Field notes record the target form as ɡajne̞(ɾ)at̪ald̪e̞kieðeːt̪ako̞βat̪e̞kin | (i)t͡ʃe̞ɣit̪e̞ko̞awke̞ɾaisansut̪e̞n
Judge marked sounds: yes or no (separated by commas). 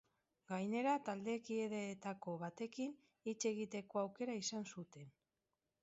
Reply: yes, yes